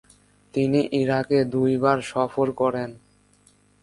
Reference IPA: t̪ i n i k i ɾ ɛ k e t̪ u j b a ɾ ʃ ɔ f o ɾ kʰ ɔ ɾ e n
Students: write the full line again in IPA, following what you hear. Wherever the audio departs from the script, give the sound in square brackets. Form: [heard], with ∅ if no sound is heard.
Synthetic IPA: t̪ i n i [ʔ] i ɾ [a] k e [d̪] u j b a ɾ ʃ ɔ f o ɾ [k] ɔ ɾ e n